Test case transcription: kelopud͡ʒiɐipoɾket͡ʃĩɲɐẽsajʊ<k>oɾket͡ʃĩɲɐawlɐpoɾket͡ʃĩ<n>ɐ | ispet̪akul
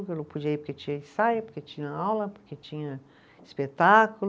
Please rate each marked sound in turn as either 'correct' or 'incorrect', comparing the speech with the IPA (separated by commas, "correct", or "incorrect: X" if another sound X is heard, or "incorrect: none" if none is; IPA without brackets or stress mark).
incorrect: p, incorrect: ɲ